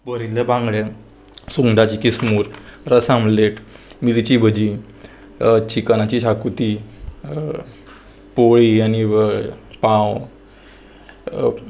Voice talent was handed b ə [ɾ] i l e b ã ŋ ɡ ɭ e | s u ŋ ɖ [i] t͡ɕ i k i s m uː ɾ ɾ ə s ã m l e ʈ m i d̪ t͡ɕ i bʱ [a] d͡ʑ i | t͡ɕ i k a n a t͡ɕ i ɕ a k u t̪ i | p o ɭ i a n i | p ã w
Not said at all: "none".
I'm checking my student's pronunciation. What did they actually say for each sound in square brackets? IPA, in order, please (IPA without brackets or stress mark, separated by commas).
ɾ, a, ə